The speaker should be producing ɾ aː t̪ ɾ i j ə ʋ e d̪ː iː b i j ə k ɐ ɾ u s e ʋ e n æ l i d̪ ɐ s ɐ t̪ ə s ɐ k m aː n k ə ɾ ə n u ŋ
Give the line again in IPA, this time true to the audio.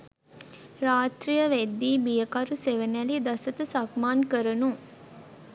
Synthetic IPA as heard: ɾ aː t̪ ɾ i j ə ʋ e d̪ː iː b i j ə k ɐ ɾ u s e ʋ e n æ l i d̪ ɐ s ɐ t̪ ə s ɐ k m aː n k ə ɾ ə n u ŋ